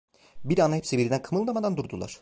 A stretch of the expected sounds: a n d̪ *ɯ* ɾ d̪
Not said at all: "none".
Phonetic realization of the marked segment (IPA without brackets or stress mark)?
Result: u